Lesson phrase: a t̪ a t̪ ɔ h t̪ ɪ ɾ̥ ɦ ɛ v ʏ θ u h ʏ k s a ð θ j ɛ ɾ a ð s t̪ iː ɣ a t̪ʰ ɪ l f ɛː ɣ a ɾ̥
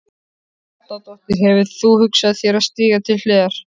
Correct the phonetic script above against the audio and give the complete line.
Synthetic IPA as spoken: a t̪ a t̪ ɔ h t̪ ɪ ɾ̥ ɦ ɛ v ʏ θ u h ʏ k s a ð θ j ɛ ɾ a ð s t̪ iː ɣ a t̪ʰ ɪ l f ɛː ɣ a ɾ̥